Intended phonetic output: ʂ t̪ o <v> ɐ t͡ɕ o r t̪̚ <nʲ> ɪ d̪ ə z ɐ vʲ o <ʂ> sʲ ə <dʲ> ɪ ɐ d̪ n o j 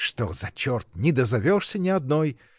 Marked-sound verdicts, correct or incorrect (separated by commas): incorrect, correct, correct, incorrect